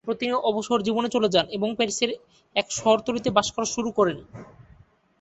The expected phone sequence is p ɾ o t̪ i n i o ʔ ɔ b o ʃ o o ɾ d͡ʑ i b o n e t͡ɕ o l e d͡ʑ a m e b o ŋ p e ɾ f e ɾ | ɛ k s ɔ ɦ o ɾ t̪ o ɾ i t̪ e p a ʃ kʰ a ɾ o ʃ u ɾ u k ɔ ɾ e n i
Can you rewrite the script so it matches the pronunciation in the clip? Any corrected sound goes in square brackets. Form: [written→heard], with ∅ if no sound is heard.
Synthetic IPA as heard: p ɾ o t̪ i n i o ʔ ɔ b o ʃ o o ɾ d͡ʑ i b o n e t͡ɕ o l e d͡ʑ a [m→n] e b o ŋ p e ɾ [f→s] e ɾ | ɛ k [s→ʃ] ɔ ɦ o ɾ t̪ o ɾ i t̪ e [p→b] a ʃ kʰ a ɾ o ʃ u ɾ u k ɔ ɾ e n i